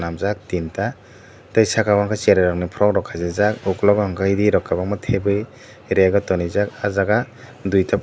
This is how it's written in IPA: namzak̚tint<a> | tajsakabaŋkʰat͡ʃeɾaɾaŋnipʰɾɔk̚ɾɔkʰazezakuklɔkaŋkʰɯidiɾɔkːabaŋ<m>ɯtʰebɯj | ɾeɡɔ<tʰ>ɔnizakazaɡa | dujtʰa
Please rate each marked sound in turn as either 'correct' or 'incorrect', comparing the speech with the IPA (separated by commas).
correct, correct, incorrect